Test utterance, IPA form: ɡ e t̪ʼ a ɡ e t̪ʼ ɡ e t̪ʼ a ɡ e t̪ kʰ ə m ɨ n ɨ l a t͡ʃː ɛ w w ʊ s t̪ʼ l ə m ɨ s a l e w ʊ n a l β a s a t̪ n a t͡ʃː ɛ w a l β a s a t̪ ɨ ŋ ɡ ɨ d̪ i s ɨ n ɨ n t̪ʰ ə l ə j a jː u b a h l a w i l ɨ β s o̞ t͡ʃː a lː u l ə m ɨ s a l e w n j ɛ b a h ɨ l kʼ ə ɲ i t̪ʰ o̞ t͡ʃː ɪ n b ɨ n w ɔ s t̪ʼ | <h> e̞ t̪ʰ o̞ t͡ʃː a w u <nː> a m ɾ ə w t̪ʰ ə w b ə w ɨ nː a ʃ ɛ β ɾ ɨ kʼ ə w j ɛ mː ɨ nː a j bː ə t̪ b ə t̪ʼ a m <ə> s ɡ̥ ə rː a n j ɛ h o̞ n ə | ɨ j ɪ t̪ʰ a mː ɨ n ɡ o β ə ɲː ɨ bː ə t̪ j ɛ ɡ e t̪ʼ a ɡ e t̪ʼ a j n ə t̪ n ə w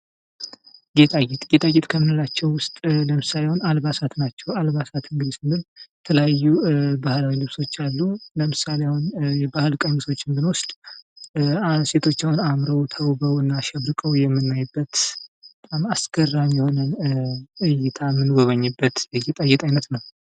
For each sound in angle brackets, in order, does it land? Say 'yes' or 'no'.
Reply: no, no, no

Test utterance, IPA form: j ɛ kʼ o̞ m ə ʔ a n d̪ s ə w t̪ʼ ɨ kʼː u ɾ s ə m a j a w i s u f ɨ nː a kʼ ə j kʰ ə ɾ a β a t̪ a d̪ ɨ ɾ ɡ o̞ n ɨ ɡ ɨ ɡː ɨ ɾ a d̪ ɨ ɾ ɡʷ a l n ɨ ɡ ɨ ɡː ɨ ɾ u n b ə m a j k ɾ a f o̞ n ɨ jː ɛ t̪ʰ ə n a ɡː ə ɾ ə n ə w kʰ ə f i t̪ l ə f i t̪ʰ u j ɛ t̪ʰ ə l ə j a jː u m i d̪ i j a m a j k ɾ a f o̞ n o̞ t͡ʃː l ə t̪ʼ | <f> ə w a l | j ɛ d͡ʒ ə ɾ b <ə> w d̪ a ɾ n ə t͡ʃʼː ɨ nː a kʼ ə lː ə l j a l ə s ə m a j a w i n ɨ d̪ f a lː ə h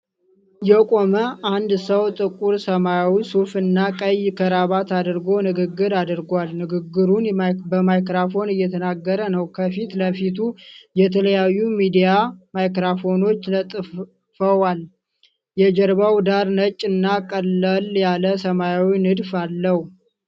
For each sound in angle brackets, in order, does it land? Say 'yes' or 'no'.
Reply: yes, no

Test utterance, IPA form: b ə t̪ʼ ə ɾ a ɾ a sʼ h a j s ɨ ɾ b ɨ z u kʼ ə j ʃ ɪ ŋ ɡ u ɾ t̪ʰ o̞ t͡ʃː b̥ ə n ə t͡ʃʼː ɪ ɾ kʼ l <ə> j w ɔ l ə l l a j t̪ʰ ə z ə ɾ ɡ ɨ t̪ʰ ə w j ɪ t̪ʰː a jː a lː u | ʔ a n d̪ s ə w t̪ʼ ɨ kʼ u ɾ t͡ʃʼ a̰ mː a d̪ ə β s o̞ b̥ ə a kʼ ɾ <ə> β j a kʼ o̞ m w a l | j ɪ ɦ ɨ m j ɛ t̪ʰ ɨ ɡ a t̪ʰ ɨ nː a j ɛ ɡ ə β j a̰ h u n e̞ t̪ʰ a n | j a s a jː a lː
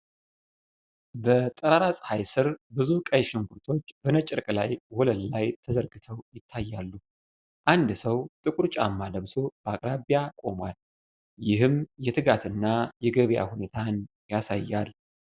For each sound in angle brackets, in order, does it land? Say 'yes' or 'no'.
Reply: no, no

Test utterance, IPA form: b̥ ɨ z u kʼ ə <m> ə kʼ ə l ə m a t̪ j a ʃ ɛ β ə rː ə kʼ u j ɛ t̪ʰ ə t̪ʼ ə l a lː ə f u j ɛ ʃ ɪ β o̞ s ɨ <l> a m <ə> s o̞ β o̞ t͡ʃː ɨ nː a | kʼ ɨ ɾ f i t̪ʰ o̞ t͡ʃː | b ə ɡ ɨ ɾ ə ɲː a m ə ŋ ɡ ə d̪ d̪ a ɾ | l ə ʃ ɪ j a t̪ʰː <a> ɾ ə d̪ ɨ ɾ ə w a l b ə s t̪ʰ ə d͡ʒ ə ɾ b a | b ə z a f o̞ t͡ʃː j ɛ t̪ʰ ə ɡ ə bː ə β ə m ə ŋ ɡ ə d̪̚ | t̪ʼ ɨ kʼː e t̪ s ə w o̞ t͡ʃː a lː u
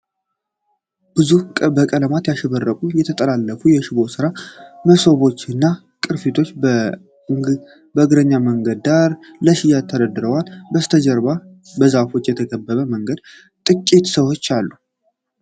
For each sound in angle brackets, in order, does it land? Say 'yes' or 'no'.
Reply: no, no, yes, no

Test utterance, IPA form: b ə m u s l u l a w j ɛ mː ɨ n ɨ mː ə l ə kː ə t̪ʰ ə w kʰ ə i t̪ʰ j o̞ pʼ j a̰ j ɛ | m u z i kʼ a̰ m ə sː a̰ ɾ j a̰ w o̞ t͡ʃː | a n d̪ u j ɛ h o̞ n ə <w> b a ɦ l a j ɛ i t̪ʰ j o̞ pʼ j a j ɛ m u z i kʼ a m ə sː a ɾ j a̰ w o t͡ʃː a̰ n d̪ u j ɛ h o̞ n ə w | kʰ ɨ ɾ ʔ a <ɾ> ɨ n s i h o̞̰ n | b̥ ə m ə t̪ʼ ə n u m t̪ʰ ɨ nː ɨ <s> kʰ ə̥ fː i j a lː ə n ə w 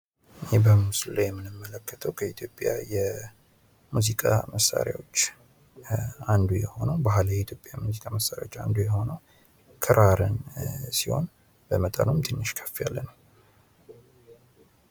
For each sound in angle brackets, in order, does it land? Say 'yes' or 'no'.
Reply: yes, yes, no

